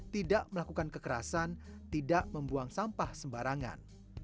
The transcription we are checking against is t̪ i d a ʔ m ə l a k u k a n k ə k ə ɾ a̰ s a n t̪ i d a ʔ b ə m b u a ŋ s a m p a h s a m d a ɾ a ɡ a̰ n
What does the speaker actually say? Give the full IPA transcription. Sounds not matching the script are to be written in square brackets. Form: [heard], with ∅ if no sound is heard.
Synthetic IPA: t̪ i d a ʔ m ə l a k u k a n k ə k ə ɾ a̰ s a n t̪ i d a ʔ [m] ə m b u a ŋ s a m p a h s [ə] m [b] a ɾ a [ŋ] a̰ n